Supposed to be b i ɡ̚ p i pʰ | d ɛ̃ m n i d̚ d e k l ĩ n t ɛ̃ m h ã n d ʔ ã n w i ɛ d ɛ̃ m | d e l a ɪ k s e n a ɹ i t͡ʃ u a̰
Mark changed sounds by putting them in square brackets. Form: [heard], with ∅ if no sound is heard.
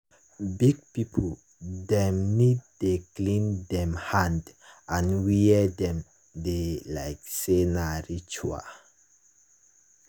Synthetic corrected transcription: b i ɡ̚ p i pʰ | d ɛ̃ m n i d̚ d e k l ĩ n [d] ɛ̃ m h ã n d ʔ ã n w i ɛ d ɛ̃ m | d e l a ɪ k s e n a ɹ i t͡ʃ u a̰